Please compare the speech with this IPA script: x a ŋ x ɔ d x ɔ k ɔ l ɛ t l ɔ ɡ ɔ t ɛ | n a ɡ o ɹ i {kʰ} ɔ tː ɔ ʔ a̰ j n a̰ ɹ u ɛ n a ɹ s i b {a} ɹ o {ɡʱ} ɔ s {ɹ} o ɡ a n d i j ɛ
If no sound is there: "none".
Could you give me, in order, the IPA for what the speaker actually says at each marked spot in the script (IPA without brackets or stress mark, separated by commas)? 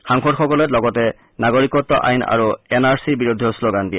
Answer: k, i, dʱ, l